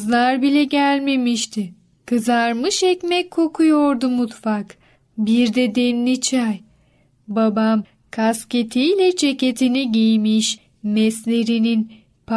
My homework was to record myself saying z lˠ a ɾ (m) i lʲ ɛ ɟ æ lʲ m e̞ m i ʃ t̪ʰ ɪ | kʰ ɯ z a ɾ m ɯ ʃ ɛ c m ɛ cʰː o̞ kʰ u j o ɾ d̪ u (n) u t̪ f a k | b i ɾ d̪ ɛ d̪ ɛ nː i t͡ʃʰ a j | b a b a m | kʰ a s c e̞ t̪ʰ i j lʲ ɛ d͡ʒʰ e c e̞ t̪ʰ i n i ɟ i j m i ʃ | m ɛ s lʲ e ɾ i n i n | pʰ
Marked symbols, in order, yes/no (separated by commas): no, no